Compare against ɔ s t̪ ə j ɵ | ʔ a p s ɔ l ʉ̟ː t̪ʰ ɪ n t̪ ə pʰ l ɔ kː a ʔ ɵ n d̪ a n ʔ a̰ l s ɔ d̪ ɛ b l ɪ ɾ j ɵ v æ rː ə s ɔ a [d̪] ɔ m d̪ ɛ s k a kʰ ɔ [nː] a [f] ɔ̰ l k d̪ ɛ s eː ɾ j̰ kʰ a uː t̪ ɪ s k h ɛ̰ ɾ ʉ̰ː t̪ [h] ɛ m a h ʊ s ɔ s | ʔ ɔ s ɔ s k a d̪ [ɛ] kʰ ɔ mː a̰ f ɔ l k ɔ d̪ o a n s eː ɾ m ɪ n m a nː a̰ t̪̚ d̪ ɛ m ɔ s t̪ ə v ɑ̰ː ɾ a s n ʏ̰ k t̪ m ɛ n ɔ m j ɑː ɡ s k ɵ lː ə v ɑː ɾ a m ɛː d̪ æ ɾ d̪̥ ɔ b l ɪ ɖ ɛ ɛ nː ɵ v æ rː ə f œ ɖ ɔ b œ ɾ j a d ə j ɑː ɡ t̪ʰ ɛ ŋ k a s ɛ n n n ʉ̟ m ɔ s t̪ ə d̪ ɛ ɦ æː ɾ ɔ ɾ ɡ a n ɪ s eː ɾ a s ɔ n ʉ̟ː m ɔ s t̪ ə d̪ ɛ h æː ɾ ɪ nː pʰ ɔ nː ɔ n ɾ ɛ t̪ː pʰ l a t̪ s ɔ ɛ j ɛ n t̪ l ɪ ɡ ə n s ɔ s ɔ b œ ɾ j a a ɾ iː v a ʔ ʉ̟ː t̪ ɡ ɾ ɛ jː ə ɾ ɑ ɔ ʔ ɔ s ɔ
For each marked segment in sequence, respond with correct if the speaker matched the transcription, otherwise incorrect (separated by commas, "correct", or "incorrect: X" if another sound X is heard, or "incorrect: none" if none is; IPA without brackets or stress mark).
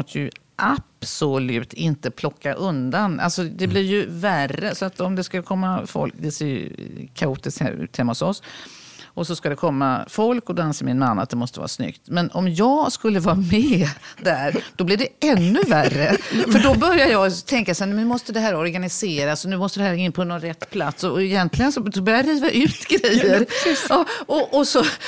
incorrect: t̪, incorrect: mː, correct, correct, correct